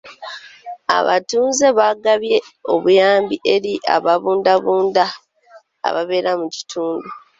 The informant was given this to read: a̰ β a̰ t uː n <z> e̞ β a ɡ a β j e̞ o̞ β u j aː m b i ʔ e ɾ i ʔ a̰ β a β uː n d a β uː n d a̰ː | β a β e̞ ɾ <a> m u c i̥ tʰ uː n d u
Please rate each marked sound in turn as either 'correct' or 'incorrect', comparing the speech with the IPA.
correct, correct

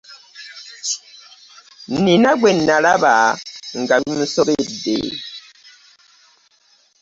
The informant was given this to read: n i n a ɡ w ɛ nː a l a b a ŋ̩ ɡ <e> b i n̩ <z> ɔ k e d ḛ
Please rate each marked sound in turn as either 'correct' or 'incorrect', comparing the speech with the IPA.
incorrect: a, incorrect: s

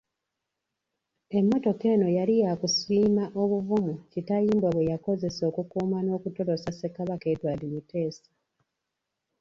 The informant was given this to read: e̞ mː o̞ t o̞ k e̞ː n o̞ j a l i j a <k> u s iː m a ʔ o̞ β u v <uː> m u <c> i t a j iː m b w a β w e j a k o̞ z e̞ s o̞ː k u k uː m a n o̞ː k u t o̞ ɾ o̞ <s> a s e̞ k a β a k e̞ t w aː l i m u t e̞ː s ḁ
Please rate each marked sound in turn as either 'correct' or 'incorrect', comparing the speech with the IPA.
correct, incorrect: u, correct, correct

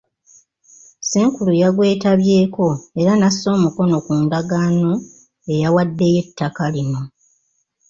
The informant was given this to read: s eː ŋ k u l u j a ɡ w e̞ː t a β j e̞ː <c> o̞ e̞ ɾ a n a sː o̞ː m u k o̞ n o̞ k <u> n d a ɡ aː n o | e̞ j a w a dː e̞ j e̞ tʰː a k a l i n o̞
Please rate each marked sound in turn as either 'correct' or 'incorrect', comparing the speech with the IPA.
incorrect: k, incorrect: uː

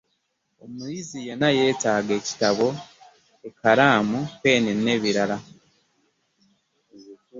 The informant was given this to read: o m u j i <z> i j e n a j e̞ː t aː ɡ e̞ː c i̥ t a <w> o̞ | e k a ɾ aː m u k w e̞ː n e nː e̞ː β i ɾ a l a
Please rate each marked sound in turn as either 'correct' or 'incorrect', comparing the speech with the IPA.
correct, incorrect: β

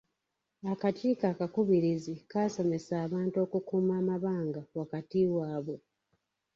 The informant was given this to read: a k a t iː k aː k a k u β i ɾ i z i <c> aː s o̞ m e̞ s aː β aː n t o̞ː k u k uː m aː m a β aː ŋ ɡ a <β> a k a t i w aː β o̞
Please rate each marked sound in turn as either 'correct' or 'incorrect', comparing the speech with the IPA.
incorrect: k, incorrect: w

